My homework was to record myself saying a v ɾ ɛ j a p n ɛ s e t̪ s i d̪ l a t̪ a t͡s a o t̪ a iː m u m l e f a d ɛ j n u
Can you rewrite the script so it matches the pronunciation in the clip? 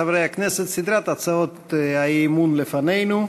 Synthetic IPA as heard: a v ɾ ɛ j a k n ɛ s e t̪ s i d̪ ɾ a t̪ a t͡s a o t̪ a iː m u n l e f a n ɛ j n u